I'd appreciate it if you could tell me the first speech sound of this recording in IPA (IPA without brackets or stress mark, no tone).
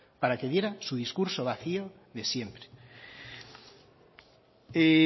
p